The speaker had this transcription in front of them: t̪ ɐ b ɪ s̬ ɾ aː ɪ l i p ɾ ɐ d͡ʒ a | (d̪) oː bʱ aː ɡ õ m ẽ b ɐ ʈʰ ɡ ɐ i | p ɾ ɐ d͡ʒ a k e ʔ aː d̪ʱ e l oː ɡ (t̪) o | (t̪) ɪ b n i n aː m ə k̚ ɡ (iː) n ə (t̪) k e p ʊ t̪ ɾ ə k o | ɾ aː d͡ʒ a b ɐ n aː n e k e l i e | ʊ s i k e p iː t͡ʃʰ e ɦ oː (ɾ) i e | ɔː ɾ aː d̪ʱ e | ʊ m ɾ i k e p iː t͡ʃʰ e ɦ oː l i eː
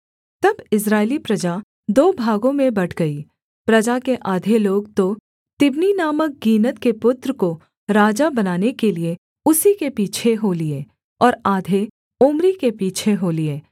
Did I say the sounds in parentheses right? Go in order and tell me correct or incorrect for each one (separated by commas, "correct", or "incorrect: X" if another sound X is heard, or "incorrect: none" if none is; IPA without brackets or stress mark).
correct, correct, correct, correct, correct, incorrect: l